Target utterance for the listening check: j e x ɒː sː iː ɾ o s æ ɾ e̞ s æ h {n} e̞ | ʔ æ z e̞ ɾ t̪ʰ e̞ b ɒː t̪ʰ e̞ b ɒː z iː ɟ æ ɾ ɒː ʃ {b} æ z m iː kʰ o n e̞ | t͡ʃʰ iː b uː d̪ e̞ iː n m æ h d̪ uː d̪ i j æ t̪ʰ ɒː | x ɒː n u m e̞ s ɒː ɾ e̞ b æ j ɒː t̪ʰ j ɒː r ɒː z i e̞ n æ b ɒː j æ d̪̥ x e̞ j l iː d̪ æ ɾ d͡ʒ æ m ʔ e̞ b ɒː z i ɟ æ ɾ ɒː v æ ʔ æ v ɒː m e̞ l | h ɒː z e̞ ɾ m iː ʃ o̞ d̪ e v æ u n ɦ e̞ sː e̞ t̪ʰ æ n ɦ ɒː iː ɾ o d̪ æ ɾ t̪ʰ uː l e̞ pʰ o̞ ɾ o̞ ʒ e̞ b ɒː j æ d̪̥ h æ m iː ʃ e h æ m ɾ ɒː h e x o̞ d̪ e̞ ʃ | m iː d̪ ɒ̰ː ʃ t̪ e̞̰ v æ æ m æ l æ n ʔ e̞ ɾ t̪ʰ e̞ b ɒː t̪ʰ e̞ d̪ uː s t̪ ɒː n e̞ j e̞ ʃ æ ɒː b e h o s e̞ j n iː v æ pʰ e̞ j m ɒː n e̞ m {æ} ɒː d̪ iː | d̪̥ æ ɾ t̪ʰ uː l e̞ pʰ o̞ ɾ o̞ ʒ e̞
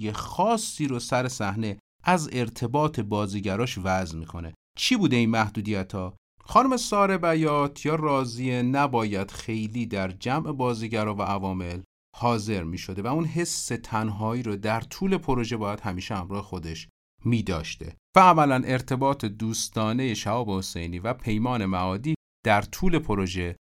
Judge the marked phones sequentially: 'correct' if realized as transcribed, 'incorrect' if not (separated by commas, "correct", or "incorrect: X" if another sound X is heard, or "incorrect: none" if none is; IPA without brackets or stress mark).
correct, incorrect: v, correct